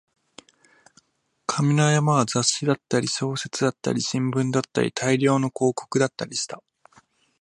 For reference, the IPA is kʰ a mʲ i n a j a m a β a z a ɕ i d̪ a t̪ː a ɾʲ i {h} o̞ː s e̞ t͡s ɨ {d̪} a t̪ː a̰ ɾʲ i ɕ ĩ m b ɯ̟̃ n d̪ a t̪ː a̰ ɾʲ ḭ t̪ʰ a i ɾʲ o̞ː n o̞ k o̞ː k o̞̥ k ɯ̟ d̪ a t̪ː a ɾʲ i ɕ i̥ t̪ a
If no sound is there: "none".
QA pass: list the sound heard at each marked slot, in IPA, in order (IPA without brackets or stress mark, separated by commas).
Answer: ɕ, d̪